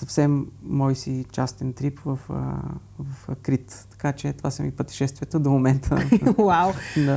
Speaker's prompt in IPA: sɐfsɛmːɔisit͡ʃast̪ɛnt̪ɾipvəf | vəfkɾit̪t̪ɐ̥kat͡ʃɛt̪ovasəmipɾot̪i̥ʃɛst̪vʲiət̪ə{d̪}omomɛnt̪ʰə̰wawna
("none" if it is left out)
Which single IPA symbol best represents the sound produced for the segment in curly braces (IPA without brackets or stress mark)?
d̪